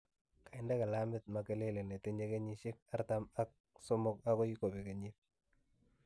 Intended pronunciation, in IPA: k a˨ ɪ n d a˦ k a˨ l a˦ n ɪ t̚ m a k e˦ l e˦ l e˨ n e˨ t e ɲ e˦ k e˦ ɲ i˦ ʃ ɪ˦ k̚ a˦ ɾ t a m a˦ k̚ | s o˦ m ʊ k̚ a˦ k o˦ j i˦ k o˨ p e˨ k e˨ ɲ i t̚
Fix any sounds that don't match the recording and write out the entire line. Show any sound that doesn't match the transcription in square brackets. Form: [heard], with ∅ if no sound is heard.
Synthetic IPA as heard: k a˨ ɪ n d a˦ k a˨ l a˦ [m] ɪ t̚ m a k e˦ l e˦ l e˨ n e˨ t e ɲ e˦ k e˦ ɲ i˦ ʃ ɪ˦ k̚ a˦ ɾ t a m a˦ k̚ | s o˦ m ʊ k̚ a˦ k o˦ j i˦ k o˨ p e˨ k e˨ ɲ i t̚